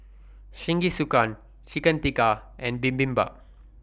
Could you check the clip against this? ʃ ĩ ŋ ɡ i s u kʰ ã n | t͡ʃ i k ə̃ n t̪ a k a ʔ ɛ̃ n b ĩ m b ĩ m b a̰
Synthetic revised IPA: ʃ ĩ ŋ ɡ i s u k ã n | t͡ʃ i k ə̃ n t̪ i k a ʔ ɛ̃ n b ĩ m b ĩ m b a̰